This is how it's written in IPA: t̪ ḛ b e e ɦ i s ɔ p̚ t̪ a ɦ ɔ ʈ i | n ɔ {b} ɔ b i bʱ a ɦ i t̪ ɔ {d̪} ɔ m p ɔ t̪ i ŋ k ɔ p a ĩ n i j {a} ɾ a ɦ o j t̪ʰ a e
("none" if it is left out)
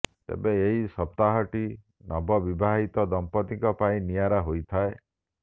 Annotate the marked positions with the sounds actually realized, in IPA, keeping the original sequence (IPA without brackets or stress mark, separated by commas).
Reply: b, d̪, a